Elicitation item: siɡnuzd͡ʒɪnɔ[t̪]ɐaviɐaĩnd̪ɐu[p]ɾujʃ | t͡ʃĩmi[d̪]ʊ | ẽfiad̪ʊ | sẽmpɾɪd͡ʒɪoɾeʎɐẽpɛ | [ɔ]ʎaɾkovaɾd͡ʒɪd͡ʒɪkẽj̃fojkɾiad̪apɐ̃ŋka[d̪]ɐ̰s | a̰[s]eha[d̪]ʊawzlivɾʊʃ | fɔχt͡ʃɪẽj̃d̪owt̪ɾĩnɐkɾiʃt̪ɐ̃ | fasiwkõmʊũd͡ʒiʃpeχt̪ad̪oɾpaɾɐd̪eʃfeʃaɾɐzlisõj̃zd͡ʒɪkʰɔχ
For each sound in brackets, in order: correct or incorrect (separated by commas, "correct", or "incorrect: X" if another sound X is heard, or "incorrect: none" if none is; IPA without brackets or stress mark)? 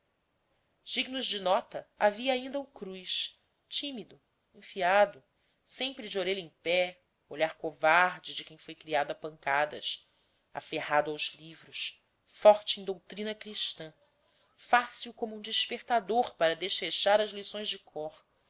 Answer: correct, incorrect: k, correct, incorrect: o, correct, incorrect: f, correct